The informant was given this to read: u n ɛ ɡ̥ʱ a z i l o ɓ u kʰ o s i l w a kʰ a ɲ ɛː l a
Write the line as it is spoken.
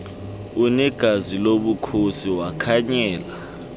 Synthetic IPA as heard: u n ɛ ɡ̥ʱ a z i l o ɓ u kʰ o s i w a kʰ a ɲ ɛː l a